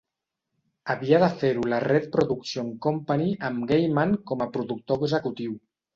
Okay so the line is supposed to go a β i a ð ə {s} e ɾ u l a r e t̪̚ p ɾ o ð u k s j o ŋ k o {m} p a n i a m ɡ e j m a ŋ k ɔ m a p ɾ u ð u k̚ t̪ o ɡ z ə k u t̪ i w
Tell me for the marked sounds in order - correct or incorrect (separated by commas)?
incorrect, correct